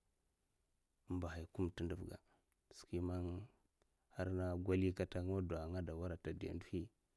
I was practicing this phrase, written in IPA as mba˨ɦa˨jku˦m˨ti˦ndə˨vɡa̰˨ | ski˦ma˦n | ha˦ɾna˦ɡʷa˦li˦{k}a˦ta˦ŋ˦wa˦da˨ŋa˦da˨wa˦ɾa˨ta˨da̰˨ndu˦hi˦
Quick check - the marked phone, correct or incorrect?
correct